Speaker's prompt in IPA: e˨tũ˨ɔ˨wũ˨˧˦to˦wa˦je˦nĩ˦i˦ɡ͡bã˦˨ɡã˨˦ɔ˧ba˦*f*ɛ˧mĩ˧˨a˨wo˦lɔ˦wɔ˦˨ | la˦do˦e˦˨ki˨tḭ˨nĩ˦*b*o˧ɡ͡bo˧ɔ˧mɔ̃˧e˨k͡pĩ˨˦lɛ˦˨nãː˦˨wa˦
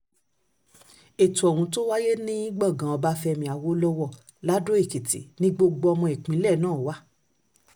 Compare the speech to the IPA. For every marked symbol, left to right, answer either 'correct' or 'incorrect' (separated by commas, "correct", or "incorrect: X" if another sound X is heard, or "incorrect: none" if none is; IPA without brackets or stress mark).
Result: correct, incorrect: ɡ͡b